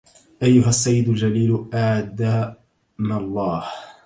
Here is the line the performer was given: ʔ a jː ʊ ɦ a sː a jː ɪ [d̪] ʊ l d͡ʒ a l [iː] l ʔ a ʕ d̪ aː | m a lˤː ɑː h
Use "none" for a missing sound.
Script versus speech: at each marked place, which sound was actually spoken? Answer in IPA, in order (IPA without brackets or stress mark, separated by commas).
d̪, iː